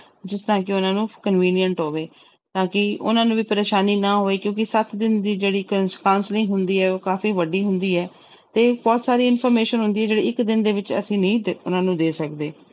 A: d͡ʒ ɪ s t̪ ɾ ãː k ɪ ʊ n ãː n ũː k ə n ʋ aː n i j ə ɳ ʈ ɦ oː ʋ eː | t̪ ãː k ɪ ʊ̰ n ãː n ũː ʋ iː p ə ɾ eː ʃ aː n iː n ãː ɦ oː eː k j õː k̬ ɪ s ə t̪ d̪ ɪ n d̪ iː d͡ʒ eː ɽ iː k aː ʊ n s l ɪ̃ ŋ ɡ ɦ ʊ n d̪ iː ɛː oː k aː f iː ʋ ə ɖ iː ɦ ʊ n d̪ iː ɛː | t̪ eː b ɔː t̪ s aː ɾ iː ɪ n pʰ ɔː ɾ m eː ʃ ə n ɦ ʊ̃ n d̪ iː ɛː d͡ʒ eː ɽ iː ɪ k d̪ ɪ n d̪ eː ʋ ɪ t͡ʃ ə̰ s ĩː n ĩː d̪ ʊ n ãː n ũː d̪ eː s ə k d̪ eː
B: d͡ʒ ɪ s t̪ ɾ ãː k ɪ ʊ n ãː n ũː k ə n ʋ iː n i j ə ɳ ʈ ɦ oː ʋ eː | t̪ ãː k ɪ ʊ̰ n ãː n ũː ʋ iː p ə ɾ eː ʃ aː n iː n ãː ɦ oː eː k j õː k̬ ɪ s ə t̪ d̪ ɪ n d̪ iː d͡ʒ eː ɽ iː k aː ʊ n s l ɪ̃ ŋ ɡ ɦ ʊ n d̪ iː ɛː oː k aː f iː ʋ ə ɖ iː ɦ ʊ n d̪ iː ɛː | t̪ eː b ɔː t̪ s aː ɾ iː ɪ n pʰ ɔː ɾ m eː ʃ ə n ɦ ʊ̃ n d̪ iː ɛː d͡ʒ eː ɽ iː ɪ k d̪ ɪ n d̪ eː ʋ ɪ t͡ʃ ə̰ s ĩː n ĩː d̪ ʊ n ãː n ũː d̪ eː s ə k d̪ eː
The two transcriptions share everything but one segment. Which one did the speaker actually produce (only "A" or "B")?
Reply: B